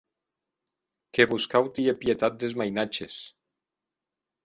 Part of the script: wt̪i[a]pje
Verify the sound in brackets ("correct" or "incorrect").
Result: incorrect